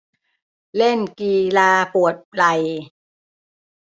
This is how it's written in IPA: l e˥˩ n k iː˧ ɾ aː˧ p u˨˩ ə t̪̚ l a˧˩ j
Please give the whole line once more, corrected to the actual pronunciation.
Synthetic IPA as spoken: l e˥˩ n k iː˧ l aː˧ p u˨˩ ə t̪̚ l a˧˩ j